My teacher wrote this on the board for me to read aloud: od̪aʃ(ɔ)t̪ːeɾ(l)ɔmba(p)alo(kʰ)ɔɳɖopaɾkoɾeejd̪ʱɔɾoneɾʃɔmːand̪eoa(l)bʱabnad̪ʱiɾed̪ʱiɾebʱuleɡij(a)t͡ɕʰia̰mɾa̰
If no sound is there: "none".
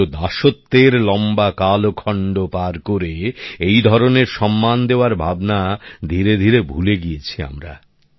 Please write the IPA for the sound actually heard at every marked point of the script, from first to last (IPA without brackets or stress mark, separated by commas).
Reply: o, l, k, kʰ, ɾ, e